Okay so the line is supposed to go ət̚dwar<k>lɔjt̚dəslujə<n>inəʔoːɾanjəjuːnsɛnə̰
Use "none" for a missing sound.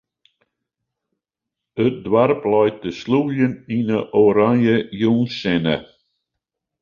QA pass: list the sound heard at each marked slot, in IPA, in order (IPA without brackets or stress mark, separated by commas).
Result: p, n